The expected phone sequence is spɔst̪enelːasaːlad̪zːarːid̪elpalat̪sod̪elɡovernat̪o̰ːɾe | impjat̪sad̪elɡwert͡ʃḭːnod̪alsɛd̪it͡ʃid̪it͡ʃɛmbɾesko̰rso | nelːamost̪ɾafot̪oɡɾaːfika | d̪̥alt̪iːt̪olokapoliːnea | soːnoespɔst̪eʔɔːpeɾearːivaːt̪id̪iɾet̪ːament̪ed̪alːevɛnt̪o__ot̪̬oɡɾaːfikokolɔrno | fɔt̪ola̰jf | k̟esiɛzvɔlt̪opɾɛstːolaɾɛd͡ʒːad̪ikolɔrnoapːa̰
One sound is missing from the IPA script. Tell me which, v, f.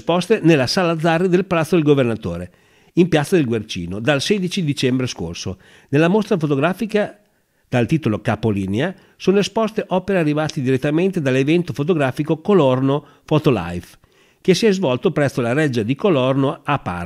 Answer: f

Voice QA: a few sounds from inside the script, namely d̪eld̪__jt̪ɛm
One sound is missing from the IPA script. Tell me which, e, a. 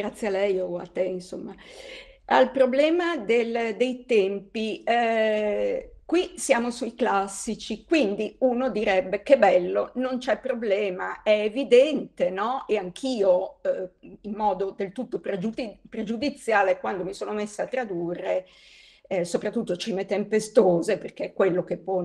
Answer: e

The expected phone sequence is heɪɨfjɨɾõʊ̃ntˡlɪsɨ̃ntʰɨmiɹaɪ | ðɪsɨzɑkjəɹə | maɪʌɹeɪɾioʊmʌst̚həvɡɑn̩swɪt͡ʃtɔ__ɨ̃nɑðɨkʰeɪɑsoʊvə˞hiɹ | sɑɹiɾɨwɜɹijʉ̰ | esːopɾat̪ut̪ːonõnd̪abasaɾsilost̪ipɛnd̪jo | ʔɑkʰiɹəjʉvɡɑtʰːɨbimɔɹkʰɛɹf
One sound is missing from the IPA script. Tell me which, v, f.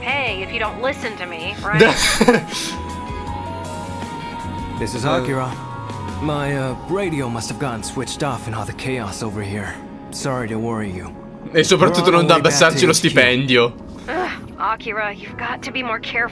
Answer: f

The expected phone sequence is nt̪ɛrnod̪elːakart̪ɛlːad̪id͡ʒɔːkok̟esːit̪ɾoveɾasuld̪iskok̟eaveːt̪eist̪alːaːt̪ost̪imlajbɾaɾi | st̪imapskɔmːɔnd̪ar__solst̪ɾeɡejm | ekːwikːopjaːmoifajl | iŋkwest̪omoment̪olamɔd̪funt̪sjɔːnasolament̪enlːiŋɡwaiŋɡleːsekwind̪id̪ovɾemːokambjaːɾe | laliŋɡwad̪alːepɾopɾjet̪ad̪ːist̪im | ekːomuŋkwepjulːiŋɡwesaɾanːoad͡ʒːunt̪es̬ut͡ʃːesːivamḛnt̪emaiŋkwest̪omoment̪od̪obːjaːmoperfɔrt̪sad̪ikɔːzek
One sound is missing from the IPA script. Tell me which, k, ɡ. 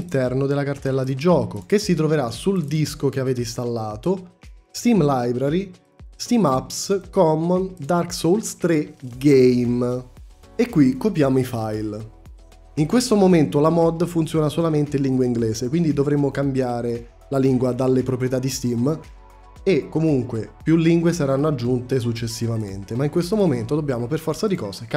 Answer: k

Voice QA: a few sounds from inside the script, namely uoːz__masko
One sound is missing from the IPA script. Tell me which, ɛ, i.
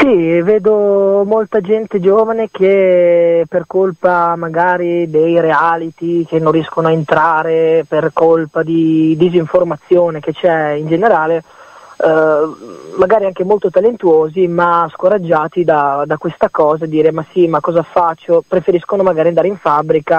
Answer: i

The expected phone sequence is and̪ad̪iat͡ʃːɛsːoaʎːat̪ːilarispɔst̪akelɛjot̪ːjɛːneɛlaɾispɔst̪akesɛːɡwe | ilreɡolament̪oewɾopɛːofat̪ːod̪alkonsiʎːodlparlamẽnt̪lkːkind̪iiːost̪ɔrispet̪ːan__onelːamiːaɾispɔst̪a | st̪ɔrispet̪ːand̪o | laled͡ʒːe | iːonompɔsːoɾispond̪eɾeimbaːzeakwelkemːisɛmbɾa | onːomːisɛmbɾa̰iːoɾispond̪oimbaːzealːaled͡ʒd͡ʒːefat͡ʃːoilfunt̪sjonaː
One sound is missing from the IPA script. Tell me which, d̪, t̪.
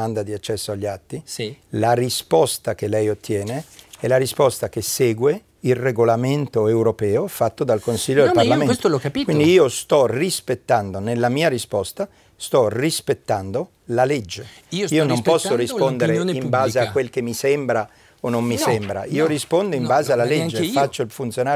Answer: d̪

